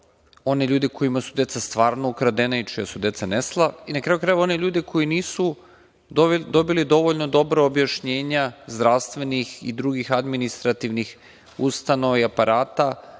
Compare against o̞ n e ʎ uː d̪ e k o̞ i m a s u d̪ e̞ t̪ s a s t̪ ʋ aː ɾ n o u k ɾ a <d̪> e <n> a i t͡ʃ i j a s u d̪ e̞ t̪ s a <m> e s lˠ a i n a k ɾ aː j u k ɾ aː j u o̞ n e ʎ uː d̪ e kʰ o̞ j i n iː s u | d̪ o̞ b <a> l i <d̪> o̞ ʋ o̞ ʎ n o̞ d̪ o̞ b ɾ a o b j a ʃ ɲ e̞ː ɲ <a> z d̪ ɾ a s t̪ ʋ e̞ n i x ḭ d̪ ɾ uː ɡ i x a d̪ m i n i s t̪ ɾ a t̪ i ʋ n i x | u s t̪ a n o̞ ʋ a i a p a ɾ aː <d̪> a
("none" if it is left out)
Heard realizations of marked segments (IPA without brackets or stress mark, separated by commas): d̪, n, n, i, d̪, a, t̪